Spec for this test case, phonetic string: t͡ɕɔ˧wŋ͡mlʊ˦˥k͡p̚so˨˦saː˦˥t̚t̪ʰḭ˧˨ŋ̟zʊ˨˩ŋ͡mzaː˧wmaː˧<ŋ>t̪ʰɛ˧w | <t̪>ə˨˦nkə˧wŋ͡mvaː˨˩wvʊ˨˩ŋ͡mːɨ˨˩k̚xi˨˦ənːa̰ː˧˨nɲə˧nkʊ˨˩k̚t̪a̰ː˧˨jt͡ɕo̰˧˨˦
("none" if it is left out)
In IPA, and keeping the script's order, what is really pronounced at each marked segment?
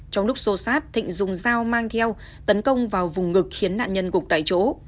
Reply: ŋ, t̪

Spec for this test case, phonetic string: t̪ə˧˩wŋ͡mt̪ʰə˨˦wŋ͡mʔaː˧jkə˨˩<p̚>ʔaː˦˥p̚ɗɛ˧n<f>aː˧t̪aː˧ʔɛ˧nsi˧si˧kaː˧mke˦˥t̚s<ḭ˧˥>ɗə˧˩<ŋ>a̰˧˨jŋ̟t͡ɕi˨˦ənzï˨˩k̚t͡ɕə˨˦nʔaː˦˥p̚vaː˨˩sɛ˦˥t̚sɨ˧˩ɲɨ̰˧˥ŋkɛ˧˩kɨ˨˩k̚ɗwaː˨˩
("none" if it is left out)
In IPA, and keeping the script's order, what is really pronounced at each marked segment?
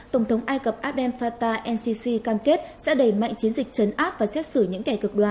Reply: p̚, f, ɛ̰˧˥, m

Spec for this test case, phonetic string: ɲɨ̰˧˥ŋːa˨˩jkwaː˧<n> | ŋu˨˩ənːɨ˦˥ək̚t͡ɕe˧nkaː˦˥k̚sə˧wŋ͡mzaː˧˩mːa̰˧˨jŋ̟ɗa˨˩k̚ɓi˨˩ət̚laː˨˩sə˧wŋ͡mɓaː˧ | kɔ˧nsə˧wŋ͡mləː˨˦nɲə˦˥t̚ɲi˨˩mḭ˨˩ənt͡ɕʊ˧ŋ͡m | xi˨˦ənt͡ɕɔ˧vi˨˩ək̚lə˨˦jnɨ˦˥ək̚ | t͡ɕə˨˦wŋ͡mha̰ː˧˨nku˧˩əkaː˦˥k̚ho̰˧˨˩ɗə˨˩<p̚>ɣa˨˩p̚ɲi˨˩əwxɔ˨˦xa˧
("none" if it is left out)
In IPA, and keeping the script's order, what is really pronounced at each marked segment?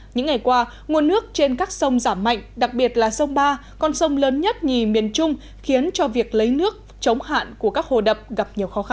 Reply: none, p̚

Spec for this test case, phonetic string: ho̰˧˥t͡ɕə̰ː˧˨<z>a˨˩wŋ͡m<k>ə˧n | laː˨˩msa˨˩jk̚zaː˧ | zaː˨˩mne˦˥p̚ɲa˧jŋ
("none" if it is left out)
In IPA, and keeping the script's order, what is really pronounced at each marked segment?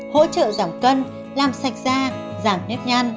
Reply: z, k

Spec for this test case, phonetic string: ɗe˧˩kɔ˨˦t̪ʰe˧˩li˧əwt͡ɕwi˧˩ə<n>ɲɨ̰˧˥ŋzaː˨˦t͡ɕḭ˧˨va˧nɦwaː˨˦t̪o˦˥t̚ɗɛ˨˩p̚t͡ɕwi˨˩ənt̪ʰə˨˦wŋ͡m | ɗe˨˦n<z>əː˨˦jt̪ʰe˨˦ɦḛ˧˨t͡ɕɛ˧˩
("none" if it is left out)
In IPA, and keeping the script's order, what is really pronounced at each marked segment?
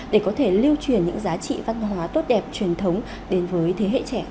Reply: n, v

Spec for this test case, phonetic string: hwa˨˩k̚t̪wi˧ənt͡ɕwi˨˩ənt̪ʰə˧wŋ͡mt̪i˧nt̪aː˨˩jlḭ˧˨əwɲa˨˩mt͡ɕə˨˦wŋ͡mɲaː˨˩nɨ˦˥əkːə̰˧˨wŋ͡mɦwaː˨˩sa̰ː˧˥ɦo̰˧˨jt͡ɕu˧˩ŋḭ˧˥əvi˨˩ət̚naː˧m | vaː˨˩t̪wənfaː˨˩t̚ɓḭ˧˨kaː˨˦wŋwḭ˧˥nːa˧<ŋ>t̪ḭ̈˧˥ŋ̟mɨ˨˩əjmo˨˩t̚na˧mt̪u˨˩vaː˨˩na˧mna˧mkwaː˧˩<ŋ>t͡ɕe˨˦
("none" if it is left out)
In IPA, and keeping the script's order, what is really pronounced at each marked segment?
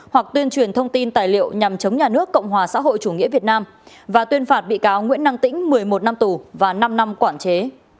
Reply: ŋ, n

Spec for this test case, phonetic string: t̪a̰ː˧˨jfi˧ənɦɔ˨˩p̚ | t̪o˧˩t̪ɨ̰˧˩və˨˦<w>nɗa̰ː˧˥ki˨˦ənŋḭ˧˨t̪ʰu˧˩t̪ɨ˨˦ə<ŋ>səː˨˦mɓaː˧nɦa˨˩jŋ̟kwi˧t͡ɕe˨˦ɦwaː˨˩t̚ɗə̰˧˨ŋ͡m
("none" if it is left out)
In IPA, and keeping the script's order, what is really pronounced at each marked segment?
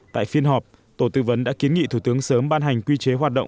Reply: none, ŋ

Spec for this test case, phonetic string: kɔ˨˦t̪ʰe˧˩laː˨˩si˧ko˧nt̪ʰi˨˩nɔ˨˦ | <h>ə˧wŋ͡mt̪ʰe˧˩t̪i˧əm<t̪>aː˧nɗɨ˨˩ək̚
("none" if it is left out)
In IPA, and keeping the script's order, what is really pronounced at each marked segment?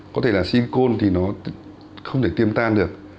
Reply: x, t̪

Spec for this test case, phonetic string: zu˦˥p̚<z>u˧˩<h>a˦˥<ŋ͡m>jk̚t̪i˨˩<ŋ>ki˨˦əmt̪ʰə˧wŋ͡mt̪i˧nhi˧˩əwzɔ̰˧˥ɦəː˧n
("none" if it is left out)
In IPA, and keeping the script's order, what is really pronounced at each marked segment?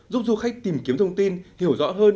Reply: z, x, none, m

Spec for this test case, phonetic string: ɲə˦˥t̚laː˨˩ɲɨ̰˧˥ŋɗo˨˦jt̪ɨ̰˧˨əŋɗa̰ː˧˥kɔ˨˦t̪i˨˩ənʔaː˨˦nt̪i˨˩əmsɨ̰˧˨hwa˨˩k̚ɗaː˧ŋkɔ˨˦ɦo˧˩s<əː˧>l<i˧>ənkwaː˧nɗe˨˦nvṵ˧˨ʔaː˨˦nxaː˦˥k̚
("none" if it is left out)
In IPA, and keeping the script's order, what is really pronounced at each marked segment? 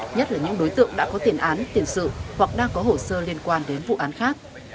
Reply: əː˧, i˧

